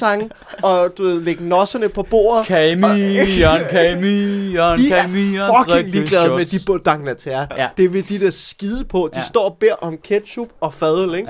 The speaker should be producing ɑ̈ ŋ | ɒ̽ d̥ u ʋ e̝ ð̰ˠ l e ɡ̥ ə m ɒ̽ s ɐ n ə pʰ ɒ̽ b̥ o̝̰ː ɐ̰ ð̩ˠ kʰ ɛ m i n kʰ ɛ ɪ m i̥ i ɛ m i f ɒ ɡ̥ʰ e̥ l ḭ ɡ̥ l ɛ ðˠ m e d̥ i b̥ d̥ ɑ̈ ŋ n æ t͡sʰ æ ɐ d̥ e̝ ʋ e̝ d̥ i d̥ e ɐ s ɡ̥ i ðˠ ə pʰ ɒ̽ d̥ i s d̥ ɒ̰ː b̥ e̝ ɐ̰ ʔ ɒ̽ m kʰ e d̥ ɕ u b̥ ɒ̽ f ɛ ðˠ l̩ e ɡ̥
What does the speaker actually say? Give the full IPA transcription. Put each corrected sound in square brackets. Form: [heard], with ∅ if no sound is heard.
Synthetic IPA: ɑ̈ ŋ | ɒ̽ d̥ u ʋ e̝ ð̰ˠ l e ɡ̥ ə [n] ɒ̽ s ɐ n ə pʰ ɒ̽ b̥ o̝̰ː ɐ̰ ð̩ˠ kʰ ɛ m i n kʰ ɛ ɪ m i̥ i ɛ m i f ɒ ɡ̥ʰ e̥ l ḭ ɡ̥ l ɛ ðˠ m e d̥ i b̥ d̥ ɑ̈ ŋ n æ t͡sʰ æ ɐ d̥ e̝ ʋ e̝ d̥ i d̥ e ɐ s ɡ̥ i ðˠ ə pʰ ɒ̽ d̥ i s d̥ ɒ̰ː b̥ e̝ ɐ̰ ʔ ɒ̽ m kʰ e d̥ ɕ u b̥ ɒ̽ f ɛ ðˠ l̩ e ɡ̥